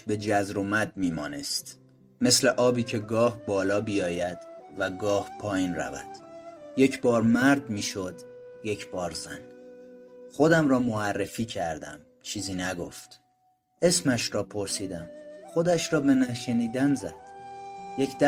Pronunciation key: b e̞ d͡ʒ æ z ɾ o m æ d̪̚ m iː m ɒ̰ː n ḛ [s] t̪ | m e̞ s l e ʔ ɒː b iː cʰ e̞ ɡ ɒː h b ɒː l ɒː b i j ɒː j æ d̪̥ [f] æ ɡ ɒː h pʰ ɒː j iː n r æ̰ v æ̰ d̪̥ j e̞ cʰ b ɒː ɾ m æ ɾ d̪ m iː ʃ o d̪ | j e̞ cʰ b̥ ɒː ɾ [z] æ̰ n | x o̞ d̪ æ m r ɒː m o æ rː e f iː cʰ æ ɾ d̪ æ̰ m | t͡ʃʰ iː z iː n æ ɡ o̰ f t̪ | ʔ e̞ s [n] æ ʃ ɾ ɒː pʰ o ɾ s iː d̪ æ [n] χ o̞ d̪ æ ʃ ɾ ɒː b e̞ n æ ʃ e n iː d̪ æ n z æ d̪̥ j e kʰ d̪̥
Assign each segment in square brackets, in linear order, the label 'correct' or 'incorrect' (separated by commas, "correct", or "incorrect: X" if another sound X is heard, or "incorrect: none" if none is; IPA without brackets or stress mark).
correct, incorrect: v, correct, incorrect: m, incorrect: m